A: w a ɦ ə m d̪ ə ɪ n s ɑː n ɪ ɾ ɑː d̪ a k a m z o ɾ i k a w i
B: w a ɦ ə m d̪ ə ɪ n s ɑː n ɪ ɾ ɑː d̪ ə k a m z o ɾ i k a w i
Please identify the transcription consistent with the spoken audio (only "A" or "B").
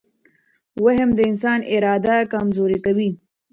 A